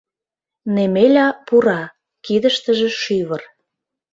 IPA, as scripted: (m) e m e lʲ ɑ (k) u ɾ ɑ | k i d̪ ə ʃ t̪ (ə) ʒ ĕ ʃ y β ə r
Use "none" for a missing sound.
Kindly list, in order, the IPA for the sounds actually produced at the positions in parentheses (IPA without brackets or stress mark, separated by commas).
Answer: n, p, ə